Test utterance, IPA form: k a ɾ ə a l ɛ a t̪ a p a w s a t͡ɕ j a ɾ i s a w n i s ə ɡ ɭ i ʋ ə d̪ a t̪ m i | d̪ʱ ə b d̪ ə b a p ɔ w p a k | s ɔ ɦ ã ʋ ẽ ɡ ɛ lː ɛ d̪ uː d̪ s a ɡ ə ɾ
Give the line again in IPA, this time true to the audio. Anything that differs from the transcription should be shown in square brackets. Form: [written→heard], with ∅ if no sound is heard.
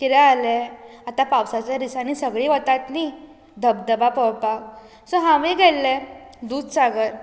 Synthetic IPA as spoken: k [a→i] ɾ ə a l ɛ a t̪ a p a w s a t͡ɕ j a ɾ i s a [w→∅] n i s ə ɡ ɭ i ʋ ə [d̪→t̪] a t̪ [m→n] i | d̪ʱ ə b d̪ ə b a p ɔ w p a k | s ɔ ɦ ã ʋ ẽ ɡ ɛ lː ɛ d̪ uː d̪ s a ɡ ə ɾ